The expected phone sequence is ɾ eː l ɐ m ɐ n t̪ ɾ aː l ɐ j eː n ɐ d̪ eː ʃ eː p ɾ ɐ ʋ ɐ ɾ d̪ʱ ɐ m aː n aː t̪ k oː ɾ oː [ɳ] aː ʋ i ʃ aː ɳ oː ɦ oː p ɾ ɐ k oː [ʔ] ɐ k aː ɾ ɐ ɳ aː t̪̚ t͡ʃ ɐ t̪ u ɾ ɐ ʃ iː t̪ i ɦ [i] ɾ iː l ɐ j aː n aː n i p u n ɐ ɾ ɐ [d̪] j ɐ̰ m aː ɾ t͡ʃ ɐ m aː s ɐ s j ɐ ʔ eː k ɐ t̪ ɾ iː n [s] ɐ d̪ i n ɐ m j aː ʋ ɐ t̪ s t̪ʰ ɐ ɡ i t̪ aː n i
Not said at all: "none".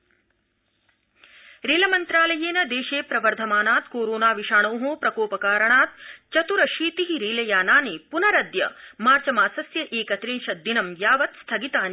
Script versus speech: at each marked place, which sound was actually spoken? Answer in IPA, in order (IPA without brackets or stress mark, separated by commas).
n, p, i, d̪, ʃ